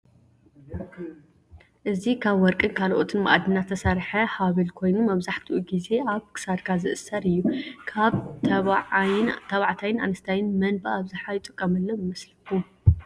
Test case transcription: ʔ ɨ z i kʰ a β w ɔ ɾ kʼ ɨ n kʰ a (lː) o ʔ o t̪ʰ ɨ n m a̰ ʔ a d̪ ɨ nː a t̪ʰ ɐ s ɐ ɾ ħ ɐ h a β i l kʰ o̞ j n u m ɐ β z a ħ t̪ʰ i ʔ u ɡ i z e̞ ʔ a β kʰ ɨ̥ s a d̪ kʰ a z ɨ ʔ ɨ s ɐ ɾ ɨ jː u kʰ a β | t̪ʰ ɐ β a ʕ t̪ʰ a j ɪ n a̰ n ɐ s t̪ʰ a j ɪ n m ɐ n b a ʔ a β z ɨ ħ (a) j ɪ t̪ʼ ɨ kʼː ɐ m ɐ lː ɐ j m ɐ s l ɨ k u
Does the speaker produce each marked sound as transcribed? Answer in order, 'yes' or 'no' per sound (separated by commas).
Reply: no, yes